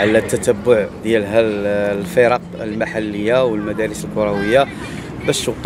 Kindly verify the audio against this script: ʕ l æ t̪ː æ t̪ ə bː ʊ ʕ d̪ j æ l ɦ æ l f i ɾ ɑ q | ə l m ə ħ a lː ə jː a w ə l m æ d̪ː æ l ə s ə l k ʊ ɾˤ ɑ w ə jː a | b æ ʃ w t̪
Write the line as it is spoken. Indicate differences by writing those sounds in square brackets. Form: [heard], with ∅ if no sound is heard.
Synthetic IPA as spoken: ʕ l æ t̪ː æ t̪ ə bː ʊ ʕ d̪ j æ l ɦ æ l f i ɾ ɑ q | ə l m [a] ħ a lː ə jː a w ə l m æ [d̪] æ [ɾ] ə s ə l k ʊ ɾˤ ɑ w ə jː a | b æ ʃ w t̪